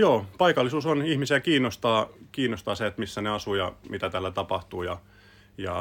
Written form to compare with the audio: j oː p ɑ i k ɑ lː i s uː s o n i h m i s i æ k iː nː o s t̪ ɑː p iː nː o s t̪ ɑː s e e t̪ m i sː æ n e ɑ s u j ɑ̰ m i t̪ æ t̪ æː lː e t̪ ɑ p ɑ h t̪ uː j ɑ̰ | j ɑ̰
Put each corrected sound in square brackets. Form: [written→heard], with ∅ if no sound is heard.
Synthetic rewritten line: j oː p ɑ i k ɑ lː i s uː s o n i h m i s i æ k iː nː o s t̪ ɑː [p→k] iː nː o s t̪ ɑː s e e t̪ m i sː æ n e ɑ s u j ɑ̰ m i t̪ æ t̪ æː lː [e→æ] t̪ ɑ p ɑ h t̪ uː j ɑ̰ | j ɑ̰